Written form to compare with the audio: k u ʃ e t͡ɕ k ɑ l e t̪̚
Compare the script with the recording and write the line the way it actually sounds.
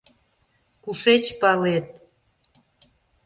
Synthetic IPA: k u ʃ e t͡ɕ p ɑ l e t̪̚